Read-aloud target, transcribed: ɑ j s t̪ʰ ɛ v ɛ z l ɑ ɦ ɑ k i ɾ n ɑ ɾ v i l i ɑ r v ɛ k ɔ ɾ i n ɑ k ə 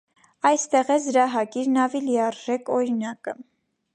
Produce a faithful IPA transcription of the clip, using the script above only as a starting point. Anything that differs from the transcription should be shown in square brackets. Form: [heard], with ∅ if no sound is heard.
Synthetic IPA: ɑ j s [t̪] ɛ [ʁ] ɛ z [ɾ] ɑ ɦ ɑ k i ɾ n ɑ [∅] v i l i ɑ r [ʒ] ɛ k ɔ ɾ i n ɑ k ə